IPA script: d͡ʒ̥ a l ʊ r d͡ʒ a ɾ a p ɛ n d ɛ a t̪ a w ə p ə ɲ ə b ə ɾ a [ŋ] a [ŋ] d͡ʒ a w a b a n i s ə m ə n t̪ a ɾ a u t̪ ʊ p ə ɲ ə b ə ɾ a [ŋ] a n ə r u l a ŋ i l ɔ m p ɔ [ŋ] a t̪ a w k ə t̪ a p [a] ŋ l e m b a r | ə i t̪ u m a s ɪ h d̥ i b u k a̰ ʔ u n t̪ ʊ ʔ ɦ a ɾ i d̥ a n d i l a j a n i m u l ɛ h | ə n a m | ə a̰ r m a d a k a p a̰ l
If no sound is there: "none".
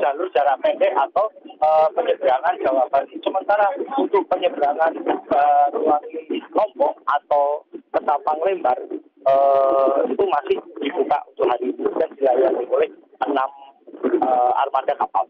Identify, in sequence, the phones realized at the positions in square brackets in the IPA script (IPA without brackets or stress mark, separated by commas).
ŋ, n, ŋ, ŋ, a